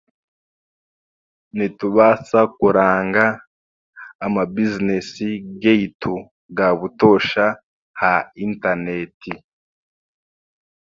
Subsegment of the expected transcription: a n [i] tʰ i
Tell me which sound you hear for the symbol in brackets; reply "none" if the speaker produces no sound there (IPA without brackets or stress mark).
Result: e